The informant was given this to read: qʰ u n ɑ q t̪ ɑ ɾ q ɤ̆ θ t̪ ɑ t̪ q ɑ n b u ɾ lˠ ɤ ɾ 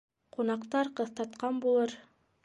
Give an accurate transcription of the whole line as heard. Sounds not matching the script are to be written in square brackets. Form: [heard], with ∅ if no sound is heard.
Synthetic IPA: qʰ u n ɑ q t̪ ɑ ɾ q ɤ̆ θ t̪ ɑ t̪ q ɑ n b u [∅] lˠ ɤ ɾ